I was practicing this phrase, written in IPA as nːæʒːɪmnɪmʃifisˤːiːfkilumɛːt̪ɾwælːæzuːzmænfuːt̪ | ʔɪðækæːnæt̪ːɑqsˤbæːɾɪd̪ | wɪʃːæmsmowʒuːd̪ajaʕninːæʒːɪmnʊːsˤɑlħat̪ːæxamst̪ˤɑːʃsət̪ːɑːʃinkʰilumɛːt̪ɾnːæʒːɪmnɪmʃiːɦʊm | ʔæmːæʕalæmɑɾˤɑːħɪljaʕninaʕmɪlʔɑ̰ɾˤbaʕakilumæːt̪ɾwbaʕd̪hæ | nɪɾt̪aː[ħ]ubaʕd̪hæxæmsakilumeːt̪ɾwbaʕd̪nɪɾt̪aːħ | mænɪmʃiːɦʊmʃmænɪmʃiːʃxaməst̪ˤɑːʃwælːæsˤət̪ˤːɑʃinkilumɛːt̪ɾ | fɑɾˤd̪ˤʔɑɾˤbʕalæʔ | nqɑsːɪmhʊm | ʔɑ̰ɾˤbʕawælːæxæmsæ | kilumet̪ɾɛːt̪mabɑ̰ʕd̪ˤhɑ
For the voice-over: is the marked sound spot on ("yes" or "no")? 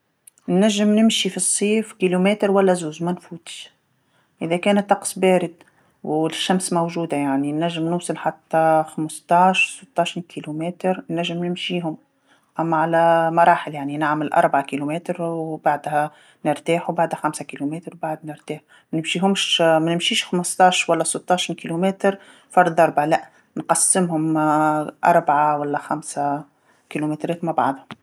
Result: yes